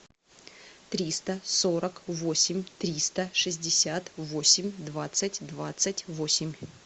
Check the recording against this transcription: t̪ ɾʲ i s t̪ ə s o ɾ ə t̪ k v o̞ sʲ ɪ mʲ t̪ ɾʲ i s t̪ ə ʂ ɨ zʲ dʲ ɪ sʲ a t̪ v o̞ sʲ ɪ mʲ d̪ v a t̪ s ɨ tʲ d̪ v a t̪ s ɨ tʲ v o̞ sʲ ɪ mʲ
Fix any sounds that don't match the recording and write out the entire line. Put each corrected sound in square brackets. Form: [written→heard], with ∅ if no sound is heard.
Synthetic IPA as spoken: t̪ ɾʲ i s t̪ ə s o ɾ ə [t̪→∅] k v o̞ sʲ ɪ mʲ t̪ ɾʲ i s t̪ ə ʂ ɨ zʲ dʲ ɪ sʲ a t̪ v o̞ sʲ ɪ mʲ d̪ v a t̪ s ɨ tʲ d̪ v a t̪ s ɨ tʲ v o̞ sʲ ɪ mʲ